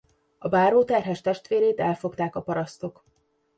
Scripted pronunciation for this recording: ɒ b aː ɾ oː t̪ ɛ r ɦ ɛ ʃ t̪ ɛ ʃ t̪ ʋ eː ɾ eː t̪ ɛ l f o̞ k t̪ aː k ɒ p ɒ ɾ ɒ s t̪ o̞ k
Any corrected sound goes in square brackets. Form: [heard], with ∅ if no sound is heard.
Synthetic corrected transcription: ɒ b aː ɾ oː t̪ ɛ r ɦ ɛ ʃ t̪ ɛ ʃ t̪ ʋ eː ɾ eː t̪ ɛ l f o̞ k t̪ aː k ɒ p ɒ ɾ ɒ s t̪ o̞ k